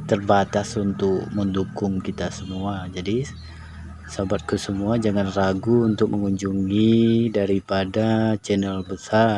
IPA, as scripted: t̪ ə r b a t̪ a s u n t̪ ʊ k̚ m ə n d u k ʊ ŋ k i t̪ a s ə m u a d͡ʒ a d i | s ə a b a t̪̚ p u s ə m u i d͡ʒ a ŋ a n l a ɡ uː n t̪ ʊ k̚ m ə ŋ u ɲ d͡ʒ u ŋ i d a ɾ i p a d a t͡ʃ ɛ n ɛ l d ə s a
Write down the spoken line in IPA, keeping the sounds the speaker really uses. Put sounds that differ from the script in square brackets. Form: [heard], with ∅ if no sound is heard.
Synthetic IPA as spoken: t̪ ə r b a t̪ a s u n t̪ ʊ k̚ m ə n d u k ʊ ŋ k i t̪ a s ə m u a d͡ʒ a d i | s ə a b a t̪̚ [k] u s ə m u [a] d͡ʒ a ŋ a n [r] a ɡ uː n t̪ ʊ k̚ m ə ŋ u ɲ d͡ʒ u ŋ i d a ɾ i p a d a t͡ʃ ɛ n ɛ l [b] ə s a